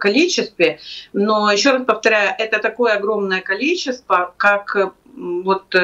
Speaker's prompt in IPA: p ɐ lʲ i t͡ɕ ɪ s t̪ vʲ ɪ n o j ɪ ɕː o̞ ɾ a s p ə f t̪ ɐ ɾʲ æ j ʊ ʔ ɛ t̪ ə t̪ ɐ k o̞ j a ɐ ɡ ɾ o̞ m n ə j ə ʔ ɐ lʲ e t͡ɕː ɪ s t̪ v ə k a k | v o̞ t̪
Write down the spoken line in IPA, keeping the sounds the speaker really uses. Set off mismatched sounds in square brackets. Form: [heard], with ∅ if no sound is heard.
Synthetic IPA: [k] ɐ lʲ i t͡ɕ ɪ s t̪ vʲ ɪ n o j ɪ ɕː o̞ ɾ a s p ə f t̪ ɐ ɾʲ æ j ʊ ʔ ɛ t̪ ə t̪ ɐ k o̞ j [ə] ɐ ɡ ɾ o̞ m n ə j ə [k] ɐ lʲ [i] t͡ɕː ɪ s t̪ v ə k a k | v o̞ t̪